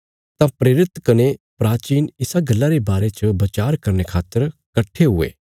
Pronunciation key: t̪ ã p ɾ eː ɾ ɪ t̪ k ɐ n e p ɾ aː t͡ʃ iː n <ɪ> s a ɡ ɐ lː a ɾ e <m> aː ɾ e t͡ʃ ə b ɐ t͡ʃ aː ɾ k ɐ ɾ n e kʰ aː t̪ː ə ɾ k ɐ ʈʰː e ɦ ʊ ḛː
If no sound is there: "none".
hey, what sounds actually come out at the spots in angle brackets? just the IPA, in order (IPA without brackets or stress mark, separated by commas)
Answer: ɪ, b